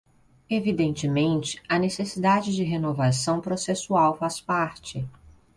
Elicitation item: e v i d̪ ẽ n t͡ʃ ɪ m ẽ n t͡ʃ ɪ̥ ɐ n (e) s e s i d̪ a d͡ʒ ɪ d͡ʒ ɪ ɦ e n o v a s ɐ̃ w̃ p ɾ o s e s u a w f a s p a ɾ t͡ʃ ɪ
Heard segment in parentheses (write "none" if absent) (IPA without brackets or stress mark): e